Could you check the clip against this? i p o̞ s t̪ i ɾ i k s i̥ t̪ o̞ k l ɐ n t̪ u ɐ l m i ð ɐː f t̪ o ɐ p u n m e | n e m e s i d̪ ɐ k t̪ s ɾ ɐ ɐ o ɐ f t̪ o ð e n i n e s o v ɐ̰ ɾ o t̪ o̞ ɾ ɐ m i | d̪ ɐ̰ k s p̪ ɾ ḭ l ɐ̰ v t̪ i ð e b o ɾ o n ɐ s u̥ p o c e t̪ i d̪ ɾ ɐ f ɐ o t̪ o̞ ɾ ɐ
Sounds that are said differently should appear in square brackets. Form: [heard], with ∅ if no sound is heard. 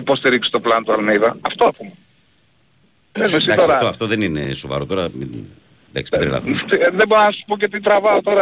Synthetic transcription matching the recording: i p o̞ s t̪ i ɾ i k s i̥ t̪ o̞ [p] l ɐ n t̪ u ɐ l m i ð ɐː f t̪ o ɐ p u [∅] m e | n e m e s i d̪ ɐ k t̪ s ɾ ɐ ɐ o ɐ f t̪ o ð e n i n e s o v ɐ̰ ɾ o t̪ o̞ ɾ ɐ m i | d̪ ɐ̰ k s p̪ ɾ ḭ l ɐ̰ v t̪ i ð e b o ɾ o n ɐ s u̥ p o c e t̪ i [t̪] ɾ ɐ [v] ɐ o t̪ o̞ ɾ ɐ